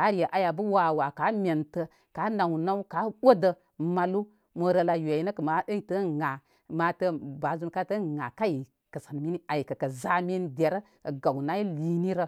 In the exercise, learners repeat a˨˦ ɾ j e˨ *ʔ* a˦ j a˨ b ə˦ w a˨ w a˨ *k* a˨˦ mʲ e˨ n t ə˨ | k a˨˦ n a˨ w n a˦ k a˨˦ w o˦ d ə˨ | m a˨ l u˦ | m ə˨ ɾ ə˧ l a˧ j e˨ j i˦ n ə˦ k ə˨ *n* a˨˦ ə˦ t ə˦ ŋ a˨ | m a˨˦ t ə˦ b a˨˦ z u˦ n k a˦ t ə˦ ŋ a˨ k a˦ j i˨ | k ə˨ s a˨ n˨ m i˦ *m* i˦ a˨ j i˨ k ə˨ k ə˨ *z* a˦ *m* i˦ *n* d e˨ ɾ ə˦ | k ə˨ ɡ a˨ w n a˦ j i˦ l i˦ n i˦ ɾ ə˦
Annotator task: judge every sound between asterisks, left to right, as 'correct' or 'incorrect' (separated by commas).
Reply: correct, correct, incorrect, incorrect, correct, correct, correct